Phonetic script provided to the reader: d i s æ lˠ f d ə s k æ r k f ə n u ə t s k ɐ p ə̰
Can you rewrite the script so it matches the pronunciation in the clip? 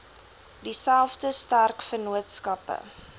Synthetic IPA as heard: d i s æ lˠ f d ə s t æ r k f ə n u ə t s k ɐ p ə̰